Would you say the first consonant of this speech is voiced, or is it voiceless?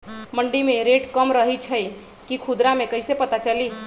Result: voiced